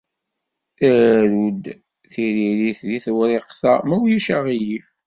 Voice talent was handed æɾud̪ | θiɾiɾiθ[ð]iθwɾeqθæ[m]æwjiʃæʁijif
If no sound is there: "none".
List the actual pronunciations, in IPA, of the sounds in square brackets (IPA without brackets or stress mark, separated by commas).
ð, m